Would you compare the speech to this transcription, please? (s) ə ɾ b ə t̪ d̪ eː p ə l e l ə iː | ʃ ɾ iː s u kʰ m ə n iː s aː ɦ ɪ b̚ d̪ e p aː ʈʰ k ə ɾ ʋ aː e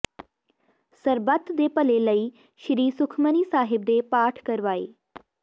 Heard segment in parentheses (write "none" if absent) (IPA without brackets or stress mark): s